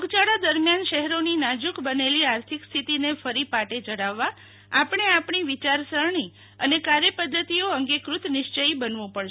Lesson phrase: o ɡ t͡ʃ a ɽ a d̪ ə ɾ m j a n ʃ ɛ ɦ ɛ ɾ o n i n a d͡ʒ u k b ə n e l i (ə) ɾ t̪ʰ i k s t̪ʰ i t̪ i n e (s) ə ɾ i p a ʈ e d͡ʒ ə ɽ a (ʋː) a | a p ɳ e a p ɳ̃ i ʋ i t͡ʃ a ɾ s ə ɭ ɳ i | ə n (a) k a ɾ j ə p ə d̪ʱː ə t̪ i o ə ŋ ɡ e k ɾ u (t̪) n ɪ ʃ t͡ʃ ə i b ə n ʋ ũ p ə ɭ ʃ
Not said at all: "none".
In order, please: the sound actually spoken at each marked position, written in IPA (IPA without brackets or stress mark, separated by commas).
a, f, ʋː, e, t̪